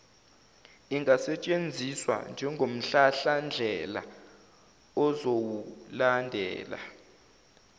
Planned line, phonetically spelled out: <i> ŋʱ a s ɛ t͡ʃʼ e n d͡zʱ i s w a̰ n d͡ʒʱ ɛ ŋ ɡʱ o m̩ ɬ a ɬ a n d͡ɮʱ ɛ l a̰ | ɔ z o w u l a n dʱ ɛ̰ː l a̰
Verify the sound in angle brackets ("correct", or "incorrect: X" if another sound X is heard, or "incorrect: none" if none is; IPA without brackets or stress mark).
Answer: correct